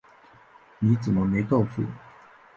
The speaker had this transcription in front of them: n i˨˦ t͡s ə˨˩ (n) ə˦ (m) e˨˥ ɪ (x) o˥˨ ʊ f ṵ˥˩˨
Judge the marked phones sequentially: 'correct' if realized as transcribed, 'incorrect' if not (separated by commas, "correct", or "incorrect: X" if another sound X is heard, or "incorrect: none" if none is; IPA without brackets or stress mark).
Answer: incorrect: m, correct, incorrect: k